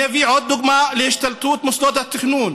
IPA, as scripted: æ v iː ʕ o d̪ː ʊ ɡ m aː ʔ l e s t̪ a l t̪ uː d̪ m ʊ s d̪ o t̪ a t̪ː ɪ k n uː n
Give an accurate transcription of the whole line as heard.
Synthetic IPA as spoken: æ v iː ʕ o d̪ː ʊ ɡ m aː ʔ l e ʃ t̪ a l t̪ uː t̪ m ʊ s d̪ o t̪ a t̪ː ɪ x n uː n